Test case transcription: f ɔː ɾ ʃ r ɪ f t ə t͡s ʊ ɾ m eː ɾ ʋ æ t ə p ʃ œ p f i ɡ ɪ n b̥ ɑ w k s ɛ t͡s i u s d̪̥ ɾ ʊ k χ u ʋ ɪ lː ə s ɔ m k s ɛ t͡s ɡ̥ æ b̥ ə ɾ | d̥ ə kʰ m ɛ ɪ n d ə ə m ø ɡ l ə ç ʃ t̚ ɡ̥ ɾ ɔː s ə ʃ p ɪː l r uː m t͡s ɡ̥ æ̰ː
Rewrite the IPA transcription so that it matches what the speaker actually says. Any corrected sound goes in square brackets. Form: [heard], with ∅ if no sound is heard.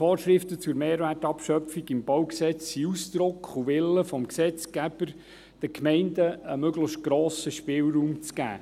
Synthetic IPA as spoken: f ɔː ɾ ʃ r ɪ f t ə t͡s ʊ ɾ m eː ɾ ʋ æ t [ɑ] p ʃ œ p f i ɡ ɪ [m] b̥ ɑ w k s ɛ t͡s i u s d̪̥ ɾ ʊ k χ u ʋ ɪ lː ə [f] ɔ m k s ɛ t͡s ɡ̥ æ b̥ ə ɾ | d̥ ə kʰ m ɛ ɪ n d ə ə m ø ɡ l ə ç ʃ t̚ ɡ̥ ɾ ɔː s ə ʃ p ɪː l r uː m t͡s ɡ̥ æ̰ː